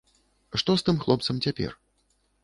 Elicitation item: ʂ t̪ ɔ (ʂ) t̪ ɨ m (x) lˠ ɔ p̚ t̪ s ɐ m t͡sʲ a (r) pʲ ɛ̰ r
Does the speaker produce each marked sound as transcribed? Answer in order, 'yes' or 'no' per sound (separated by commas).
no, yes, no